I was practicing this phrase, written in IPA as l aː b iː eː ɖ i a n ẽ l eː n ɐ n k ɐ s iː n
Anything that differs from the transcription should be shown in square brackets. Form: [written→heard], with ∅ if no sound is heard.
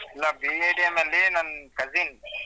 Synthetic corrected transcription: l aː b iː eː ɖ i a [n→m] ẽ l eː n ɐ n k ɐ [s→z] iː n